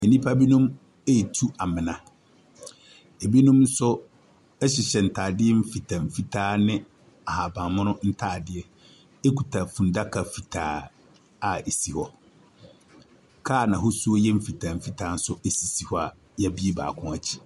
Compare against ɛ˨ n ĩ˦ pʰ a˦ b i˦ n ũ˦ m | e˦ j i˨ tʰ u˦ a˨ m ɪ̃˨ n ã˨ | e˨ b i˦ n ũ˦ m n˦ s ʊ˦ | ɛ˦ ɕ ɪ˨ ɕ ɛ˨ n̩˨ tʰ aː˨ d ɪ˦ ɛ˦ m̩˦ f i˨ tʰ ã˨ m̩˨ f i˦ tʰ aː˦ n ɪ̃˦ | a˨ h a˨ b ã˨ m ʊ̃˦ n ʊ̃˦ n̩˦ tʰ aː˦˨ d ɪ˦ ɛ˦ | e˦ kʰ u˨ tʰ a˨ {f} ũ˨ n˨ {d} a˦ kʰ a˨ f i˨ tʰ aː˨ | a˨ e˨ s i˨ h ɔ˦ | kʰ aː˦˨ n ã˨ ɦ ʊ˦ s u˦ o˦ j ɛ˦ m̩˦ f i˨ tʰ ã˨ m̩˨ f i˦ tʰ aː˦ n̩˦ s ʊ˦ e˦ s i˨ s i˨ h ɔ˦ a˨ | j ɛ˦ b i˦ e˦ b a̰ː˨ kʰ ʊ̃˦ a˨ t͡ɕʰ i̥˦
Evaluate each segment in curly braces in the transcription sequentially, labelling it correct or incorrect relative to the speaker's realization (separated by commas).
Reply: correct, correct